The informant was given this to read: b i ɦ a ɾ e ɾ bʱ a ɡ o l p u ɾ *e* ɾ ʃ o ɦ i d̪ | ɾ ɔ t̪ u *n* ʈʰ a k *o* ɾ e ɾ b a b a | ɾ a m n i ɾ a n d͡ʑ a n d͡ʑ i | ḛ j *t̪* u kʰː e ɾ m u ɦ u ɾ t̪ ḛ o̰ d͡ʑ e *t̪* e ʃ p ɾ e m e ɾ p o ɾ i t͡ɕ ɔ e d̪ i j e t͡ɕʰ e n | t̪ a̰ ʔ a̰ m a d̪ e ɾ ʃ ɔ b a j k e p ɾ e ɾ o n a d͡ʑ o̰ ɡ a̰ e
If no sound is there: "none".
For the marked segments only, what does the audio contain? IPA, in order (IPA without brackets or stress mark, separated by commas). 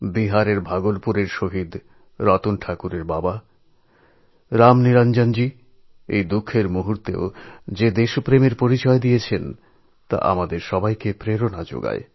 e, n, u, d̪, d̪